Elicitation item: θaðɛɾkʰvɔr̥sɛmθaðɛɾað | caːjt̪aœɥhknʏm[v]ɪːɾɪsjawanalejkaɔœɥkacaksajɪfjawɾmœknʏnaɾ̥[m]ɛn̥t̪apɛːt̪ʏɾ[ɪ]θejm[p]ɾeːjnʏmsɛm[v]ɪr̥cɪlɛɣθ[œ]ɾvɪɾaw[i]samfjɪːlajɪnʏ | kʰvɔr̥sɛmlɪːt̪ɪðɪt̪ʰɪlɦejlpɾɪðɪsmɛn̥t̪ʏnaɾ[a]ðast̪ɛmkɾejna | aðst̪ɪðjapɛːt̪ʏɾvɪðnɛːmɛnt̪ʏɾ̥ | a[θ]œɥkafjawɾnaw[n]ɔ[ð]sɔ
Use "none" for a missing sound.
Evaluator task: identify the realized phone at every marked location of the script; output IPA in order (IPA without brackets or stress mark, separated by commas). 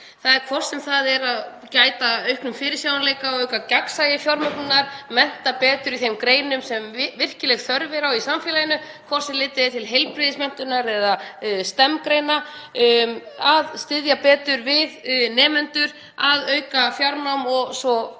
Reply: f, m, i, k, v, œ, i, ɛ, ð, m, ɣ